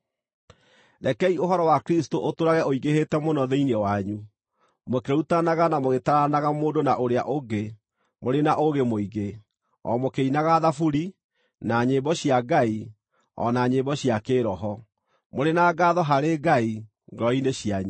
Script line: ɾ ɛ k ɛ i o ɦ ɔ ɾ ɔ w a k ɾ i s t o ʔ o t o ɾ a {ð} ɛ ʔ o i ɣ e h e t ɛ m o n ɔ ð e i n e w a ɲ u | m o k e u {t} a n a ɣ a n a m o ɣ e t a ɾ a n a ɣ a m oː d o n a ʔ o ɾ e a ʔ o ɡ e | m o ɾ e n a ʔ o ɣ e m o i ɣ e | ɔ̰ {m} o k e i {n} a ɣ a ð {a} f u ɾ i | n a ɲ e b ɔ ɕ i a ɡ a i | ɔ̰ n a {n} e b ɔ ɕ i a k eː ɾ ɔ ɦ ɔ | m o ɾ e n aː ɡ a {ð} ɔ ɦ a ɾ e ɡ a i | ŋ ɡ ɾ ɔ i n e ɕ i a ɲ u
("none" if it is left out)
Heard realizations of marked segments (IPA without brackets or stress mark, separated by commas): ɣ, t, m, n, a, ɲ, ð